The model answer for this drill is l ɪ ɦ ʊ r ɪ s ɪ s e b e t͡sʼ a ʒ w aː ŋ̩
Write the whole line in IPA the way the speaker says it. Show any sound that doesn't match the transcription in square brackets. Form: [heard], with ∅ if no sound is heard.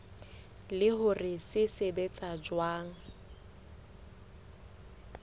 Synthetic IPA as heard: l ɪ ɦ ʊ r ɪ s ɪ s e b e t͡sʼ a [d͡ʒ] w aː ŋ̩

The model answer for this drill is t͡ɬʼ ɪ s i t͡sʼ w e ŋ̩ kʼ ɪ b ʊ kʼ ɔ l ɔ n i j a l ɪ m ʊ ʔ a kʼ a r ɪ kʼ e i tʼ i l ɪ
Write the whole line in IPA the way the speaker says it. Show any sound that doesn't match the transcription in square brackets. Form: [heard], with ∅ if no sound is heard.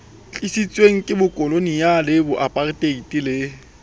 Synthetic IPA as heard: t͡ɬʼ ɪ s i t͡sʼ w e ŋ̩ kʼ ɪ b ʊ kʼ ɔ l [o] n i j a l ɪ [b] ʊ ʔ a [pʼ] a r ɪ [tʼ] e i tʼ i l ɪ

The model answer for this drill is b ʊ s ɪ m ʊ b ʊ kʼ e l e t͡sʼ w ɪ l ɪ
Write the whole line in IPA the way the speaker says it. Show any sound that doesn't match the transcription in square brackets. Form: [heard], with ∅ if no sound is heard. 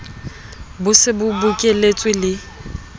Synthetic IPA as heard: b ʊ s ɪ [b] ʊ b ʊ kʼ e l e t͡sʼ w ɪ l ɪ

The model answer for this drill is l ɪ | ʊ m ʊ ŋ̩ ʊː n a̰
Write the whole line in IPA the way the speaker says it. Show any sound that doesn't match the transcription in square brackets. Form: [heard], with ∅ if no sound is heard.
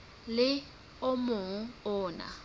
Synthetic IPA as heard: l ɪ | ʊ m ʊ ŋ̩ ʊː n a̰

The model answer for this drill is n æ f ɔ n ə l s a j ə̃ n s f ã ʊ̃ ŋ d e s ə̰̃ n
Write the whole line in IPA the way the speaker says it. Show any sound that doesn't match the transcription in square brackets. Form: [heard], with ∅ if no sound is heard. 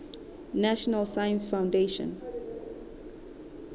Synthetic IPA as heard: n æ [ʃ] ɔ n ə l s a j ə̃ n s f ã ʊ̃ [n] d e [ʃ] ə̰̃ n

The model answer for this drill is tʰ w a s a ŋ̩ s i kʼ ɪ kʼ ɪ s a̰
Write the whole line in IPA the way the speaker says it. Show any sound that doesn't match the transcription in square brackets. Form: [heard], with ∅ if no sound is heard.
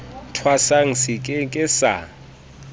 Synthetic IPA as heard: tʰ w a s a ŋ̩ s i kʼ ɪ kʼ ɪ s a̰

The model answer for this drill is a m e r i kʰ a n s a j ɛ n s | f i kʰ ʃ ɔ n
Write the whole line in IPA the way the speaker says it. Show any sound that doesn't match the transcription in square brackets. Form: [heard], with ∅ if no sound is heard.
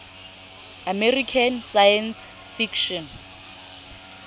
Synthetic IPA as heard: a m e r i kʰ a n s a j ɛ n s | f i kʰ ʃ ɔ n

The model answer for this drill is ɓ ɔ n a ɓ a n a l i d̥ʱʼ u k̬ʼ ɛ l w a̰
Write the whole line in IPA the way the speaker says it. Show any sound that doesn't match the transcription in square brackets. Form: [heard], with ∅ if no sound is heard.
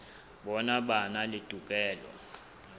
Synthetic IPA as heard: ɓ ɔ n a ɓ a n a l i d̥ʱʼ u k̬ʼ [ɛː] l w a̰

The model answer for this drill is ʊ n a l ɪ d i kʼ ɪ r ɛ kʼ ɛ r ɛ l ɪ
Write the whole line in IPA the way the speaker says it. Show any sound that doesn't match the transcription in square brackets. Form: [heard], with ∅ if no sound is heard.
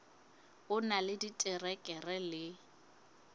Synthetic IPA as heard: ʊ n a l ɪ d i [tʼ] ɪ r ɛ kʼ ɛ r ɛ l ɪ

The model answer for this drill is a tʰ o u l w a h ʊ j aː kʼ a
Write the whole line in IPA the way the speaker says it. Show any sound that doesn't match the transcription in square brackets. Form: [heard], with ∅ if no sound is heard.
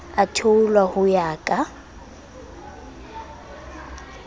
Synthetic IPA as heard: a tʰ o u l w a h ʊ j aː kʼ a

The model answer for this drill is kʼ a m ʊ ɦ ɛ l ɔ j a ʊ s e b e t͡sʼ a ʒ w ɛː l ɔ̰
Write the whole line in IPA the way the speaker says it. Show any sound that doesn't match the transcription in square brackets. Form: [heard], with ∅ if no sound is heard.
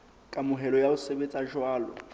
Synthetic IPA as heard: kʼ a m ʊ ɦ ɛ l ɔ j a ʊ s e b e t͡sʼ a ʒ w [aː] l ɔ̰

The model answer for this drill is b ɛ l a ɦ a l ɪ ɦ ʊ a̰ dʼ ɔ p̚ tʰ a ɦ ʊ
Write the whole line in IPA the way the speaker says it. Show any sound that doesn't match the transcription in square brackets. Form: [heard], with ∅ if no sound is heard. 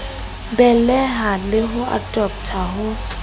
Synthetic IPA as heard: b ɛ l [ɛ] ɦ a l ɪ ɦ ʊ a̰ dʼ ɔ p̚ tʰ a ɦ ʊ

